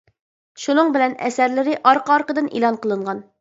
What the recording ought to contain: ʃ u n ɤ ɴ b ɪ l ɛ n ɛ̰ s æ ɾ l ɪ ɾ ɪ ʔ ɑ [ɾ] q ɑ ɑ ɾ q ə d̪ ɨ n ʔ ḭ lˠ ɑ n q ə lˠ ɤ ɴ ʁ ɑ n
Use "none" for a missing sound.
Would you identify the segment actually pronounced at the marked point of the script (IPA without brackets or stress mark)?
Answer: ɾ